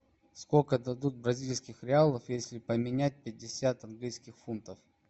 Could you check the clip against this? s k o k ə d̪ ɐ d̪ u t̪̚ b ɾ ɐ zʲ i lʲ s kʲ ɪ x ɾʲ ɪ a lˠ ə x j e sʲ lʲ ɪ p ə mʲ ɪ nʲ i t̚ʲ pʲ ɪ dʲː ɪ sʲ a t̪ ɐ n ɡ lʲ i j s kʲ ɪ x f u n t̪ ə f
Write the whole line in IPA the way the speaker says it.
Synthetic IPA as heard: s k o k ə d̪ ɐ d̪ u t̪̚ b ɾ ɐ zʲ i lʲ s kʲ ɪ x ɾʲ ɪ a lˠ ə f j e sʲ lʲ ɪ p ə mʲ ɪ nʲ æ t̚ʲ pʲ ɪ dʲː ɪ sʲ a t̪ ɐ n ɡ lʲ i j s kʲ ɪ x f u n t̪ ə f